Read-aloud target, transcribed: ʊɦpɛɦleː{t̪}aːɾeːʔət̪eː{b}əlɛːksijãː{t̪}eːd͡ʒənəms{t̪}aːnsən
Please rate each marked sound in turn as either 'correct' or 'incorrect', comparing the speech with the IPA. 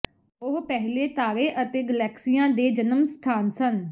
correct, incorrect, incorrect, incorrect

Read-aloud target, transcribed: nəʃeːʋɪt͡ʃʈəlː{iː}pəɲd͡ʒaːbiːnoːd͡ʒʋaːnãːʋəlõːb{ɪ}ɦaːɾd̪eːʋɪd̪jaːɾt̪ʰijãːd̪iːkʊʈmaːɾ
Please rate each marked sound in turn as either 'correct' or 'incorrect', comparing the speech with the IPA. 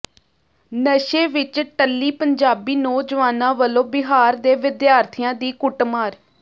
correct, correct

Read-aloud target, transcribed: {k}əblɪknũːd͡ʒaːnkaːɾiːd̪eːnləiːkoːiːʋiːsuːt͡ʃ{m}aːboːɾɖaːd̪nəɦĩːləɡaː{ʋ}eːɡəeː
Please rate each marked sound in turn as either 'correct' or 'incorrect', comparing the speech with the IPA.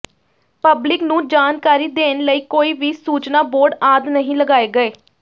incorrect, incorrect, incorrect

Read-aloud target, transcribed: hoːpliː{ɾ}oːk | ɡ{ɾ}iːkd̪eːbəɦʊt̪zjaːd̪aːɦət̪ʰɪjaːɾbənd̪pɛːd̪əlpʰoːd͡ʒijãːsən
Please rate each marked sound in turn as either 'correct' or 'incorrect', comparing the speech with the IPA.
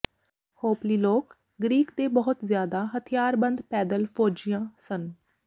incorrect, correct

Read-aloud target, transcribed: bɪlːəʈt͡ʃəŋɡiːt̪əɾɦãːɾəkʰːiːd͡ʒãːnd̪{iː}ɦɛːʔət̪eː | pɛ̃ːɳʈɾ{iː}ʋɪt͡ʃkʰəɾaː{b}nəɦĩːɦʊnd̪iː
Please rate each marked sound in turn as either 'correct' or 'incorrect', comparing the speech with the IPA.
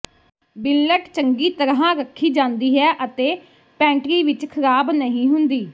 correct, correct, correct

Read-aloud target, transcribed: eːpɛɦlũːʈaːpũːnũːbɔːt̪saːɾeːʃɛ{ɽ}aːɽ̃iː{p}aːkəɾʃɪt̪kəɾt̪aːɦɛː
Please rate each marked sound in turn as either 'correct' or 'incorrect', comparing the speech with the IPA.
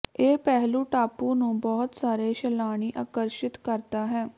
incorrect, incorrect

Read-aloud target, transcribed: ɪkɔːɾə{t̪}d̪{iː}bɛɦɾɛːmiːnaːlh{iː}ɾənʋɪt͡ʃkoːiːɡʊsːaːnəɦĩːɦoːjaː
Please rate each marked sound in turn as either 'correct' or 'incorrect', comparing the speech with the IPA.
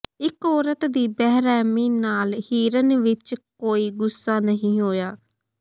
correct, correct, correct

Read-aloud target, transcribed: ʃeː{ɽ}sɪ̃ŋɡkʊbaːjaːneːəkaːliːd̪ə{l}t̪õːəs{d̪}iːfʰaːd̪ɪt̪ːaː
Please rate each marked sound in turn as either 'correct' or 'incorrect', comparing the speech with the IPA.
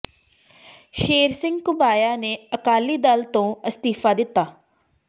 incorrect, correct, incorrect

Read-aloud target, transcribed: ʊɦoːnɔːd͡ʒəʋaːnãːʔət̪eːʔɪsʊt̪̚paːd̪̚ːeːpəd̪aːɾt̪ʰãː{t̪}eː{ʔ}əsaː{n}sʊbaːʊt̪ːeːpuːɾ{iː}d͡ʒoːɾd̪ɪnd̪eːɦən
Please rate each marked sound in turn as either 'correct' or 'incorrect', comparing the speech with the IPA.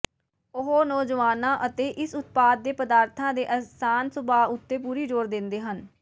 incorrect, correct, correct, correct

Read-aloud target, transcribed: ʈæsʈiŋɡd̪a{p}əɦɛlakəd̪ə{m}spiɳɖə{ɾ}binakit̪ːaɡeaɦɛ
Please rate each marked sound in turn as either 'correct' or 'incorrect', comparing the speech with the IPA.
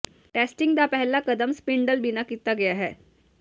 correct, correct, incorrect

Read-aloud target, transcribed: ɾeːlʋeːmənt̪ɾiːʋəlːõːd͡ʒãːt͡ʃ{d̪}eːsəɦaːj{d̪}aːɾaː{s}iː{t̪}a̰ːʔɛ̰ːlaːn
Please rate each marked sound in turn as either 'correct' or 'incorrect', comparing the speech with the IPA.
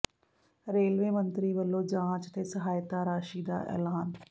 incorrect, incorrect, incorrect, incorrect

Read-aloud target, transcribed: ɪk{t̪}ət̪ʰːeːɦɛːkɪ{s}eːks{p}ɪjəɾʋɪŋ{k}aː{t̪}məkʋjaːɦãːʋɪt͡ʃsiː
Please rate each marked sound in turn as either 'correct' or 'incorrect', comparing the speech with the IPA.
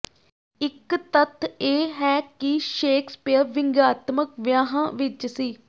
correct, incorrect, correct, incorrect, correct

